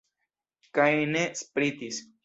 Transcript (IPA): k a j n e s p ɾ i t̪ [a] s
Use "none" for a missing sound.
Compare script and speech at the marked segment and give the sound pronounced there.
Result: i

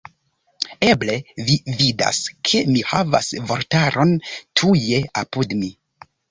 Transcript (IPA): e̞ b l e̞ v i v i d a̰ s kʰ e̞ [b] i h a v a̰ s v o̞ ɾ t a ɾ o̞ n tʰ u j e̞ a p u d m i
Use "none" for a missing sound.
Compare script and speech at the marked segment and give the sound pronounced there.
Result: m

